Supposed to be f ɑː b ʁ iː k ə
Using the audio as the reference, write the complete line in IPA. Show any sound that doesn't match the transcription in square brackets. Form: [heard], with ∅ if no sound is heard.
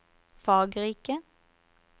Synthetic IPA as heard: f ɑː [ɡ] ʁ iː k ə